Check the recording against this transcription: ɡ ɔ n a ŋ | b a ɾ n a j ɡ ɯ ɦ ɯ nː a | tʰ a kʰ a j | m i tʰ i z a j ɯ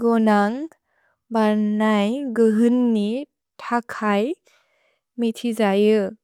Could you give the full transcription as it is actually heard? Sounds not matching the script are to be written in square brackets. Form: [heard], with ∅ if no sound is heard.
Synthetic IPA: ɡ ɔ n a ŋ | b a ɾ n a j ɡ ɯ ɦ ɯ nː [i] | tʰ a kʰ a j | m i tʰ i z a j ɯ